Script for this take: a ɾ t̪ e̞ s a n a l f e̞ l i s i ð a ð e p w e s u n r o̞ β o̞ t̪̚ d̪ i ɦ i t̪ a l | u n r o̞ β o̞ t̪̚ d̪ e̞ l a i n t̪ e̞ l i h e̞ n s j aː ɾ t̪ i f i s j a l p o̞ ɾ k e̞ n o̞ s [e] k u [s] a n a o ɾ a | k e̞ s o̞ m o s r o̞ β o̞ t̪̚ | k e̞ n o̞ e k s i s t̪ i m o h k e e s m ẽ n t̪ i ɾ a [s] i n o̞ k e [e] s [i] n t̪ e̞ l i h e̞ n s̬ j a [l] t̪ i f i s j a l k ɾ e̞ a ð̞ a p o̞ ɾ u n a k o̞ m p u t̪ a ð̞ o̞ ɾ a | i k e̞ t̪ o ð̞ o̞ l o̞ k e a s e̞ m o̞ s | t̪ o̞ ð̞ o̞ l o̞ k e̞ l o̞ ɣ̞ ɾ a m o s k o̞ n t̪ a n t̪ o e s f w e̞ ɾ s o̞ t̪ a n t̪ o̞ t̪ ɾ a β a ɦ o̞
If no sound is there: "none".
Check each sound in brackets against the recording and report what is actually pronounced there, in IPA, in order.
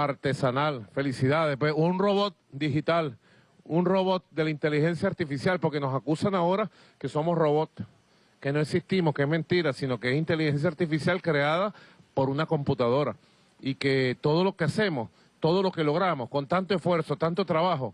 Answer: a, s, s, e, i, ɾ

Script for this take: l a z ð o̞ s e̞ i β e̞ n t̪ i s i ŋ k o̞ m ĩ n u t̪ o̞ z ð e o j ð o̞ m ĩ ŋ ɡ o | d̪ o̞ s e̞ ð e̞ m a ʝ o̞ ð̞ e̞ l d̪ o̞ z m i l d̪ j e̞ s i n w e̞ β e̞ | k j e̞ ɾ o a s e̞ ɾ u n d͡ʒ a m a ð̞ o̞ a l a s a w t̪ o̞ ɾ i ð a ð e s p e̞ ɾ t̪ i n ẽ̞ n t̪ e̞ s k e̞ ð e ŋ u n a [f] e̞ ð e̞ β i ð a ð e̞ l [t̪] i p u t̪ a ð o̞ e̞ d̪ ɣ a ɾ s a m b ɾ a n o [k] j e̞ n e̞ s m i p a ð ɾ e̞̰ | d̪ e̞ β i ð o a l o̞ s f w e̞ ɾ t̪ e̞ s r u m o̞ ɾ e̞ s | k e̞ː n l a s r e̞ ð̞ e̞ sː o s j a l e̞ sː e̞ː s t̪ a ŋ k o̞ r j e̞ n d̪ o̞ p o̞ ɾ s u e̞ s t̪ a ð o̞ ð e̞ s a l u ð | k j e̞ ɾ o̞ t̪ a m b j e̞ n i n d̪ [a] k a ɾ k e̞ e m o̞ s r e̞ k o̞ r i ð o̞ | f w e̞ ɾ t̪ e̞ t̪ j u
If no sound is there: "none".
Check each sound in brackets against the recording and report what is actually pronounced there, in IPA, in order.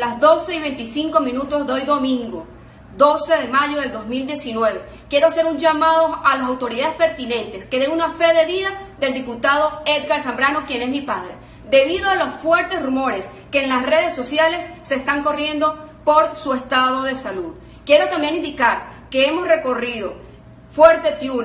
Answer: f, d̪, k, i

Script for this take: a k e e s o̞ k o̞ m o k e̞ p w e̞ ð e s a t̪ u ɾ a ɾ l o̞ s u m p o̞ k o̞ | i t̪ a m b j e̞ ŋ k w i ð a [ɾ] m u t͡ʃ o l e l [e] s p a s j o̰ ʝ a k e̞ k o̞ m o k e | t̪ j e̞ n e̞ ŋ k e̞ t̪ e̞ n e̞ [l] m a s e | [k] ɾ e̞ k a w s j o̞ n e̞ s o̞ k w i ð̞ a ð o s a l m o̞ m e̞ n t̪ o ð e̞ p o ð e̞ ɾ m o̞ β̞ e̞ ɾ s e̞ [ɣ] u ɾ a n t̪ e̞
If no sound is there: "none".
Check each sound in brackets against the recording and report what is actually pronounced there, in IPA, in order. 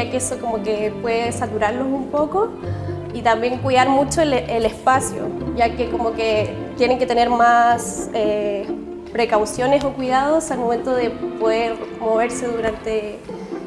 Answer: ɾ, e, ɾ, p, ð

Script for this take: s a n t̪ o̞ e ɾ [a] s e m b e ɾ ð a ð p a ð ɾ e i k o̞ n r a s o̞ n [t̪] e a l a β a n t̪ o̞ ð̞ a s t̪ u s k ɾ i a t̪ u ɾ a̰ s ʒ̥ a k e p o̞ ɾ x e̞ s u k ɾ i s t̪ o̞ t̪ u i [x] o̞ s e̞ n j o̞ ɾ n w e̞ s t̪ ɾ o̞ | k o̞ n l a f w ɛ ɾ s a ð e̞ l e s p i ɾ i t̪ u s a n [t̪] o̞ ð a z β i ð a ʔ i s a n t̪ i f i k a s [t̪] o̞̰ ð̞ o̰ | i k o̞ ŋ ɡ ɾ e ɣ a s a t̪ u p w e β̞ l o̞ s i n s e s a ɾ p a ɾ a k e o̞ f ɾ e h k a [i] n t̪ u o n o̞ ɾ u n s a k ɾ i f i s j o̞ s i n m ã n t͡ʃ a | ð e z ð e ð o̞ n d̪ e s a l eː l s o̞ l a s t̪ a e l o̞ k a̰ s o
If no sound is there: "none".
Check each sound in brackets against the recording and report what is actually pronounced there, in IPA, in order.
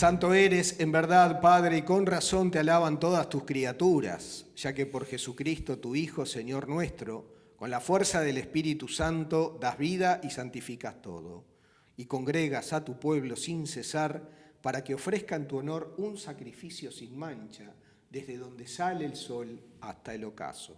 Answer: e, t̪, x, t̪, t̪, e

